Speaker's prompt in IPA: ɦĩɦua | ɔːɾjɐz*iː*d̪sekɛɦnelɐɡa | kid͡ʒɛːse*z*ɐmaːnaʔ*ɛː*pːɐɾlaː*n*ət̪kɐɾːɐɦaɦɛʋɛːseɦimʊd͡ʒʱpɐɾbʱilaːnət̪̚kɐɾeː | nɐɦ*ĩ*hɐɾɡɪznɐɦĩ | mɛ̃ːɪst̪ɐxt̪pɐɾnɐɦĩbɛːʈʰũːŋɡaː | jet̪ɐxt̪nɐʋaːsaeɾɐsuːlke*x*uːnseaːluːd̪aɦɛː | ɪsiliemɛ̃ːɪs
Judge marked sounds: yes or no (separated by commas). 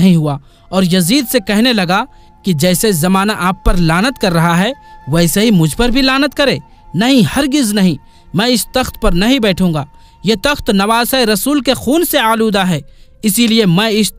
yes, yes, no, yes, yes, yes